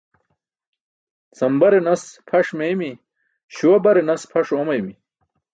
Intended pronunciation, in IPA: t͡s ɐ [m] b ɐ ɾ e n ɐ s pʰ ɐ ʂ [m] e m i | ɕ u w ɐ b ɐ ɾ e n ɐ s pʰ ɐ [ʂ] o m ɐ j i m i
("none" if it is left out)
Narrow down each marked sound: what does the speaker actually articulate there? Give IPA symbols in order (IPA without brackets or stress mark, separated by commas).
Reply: m, m, ʂ